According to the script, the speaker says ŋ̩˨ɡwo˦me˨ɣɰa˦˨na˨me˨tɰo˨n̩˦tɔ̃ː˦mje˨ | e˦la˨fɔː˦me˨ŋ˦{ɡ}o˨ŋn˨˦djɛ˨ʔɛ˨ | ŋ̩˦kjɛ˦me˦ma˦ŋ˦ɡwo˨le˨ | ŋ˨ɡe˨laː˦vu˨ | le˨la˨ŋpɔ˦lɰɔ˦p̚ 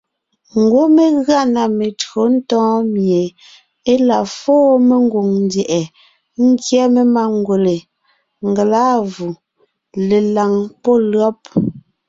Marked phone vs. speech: correct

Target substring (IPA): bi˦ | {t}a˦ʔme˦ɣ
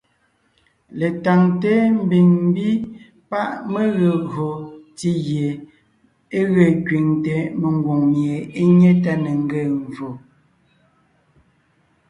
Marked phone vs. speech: incorrect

